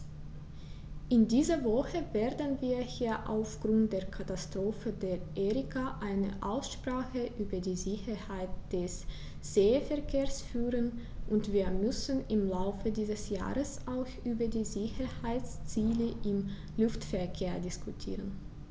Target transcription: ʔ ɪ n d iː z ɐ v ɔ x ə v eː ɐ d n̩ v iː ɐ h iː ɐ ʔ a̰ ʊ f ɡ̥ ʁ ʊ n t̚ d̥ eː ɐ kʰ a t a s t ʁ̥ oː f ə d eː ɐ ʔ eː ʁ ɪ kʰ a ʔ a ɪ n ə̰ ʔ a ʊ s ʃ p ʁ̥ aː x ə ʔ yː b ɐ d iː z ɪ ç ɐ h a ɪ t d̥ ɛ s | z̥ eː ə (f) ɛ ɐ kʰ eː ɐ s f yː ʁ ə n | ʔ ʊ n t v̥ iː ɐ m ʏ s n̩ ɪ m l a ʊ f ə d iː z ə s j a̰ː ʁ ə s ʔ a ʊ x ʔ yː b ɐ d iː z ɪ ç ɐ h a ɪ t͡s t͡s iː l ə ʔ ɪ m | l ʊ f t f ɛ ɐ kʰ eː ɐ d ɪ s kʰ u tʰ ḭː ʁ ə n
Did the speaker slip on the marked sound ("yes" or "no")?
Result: no